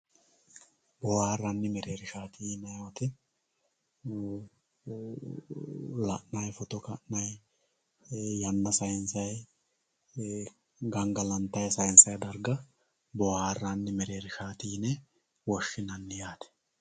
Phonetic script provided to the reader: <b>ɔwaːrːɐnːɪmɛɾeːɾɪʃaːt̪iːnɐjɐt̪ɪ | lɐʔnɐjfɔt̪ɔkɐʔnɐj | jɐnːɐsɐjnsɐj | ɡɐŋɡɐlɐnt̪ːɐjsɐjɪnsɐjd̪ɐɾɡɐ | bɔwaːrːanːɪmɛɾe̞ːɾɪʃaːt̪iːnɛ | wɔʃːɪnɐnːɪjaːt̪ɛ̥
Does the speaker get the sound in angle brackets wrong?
no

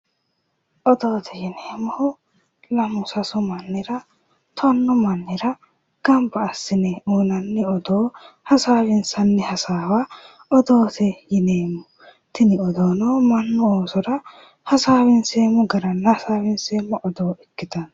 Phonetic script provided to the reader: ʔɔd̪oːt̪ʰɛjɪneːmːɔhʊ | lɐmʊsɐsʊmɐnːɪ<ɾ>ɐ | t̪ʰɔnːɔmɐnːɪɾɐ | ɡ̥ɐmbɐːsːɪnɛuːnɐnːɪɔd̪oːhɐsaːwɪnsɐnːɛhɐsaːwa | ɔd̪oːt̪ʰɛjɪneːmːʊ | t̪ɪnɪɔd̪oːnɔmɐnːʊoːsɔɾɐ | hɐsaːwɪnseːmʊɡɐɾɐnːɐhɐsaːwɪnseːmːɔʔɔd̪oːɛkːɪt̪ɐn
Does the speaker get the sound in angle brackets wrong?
no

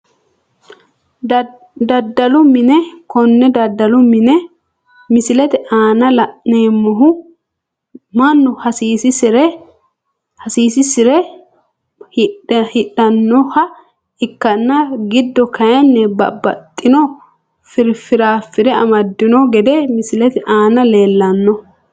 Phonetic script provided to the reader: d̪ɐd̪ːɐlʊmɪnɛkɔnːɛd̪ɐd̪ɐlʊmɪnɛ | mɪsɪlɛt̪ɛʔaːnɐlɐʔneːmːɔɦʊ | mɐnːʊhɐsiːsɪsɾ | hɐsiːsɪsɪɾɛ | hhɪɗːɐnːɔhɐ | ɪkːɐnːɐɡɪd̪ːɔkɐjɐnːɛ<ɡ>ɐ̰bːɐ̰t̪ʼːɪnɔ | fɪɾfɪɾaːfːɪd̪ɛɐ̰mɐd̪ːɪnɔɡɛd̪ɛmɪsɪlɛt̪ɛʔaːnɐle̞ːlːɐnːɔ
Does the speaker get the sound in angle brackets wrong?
yes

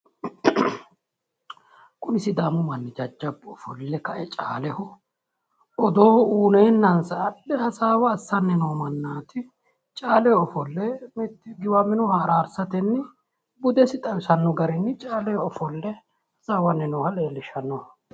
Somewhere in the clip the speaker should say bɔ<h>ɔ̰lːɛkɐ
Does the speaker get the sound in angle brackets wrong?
yes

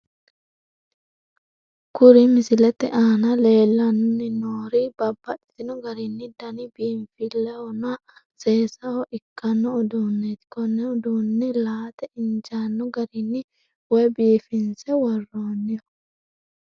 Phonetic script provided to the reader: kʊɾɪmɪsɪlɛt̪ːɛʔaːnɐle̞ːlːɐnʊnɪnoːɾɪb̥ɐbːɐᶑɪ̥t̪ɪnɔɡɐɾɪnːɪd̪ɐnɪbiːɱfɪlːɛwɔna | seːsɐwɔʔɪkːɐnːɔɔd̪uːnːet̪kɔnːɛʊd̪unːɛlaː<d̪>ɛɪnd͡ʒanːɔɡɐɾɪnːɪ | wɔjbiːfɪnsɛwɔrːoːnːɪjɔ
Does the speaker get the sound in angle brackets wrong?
yes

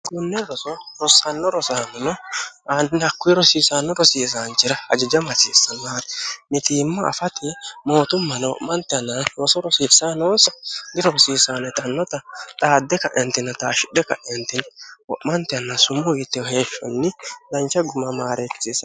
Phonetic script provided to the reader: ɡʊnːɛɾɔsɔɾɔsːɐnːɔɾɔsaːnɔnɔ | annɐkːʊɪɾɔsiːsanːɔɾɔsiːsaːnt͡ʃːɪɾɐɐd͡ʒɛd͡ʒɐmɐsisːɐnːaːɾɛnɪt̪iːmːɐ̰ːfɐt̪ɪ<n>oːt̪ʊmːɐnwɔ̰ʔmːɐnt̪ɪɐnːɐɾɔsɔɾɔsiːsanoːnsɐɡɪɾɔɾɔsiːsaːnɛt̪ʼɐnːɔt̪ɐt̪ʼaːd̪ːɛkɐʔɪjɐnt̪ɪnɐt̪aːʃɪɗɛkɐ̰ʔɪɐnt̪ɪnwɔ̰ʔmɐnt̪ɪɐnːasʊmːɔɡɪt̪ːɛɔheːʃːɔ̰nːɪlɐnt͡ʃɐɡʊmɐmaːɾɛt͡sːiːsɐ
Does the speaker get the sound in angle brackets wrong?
yes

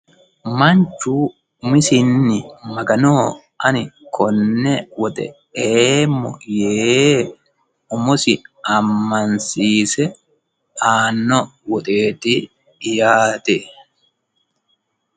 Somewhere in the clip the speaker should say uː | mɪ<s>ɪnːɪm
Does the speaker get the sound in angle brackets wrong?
no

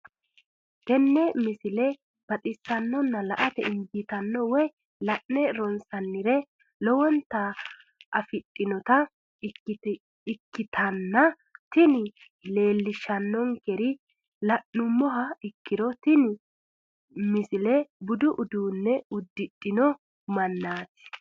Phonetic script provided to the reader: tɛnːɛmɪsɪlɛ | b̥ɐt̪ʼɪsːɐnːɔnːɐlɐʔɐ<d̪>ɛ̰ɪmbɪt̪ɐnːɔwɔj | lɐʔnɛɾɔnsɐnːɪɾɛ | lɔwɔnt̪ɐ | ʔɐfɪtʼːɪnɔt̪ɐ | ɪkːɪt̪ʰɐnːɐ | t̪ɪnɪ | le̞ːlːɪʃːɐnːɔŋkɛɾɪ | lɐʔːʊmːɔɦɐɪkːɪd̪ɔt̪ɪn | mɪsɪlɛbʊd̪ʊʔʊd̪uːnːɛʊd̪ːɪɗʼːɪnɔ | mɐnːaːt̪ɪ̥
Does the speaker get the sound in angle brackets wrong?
yes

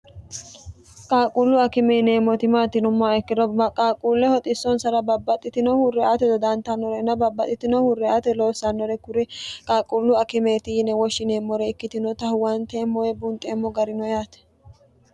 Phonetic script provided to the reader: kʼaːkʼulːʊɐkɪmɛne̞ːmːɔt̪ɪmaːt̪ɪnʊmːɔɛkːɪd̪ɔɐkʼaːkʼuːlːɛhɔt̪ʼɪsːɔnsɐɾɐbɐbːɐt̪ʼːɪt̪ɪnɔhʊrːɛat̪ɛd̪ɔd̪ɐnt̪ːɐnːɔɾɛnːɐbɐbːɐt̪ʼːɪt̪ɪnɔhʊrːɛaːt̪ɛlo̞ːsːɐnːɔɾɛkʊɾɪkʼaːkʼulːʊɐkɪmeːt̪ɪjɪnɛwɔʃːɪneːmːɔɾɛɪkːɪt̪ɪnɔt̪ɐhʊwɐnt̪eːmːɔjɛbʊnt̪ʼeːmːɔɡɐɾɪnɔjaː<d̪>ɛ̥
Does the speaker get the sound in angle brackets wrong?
yes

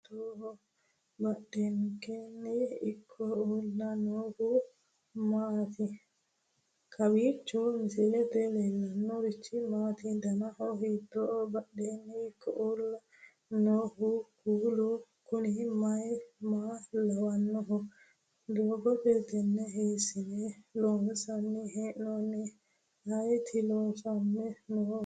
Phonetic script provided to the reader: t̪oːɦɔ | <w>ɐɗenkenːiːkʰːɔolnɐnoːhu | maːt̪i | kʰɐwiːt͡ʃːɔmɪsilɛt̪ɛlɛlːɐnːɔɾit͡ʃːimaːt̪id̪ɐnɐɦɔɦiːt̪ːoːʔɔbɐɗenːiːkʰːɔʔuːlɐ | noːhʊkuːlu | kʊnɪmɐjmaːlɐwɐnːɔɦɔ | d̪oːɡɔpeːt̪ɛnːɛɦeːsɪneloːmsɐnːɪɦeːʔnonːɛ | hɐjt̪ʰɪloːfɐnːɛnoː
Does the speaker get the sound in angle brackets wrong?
yes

